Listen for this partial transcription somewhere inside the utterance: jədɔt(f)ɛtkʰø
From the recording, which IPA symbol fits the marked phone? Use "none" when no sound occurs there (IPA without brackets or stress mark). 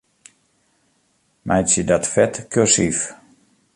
f